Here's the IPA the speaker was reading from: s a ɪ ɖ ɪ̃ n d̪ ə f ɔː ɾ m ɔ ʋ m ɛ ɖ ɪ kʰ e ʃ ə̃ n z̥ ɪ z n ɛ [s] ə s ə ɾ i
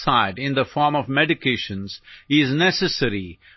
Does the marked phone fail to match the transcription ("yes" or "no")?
no